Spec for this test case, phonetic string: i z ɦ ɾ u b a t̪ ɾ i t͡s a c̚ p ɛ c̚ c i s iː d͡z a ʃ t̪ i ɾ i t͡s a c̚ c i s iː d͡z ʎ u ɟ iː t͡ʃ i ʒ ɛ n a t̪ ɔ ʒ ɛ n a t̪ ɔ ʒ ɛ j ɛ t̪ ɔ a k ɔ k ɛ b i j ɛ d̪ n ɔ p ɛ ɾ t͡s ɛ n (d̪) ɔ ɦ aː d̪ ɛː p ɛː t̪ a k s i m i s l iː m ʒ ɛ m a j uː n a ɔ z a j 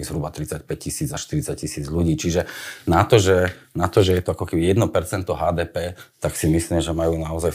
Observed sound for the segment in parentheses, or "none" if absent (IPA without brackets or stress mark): t̪